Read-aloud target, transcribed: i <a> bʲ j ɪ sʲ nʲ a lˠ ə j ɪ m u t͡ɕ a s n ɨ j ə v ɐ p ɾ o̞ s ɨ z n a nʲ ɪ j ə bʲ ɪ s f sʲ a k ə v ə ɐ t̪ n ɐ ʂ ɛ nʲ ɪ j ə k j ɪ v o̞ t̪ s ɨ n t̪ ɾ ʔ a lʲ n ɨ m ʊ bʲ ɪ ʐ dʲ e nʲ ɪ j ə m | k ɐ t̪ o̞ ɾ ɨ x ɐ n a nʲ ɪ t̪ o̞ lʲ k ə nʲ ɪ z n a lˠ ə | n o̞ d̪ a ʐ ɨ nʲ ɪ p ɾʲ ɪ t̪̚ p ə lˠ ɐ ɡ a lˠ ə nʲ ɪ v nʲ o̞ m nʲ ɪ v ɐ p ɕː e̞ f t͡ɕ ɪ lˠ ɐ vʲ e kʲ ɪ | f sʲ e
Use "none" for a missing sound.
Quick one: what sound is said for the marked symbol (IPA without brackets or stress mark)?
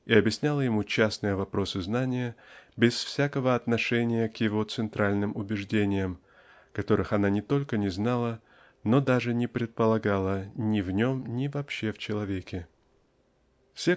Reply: ɐ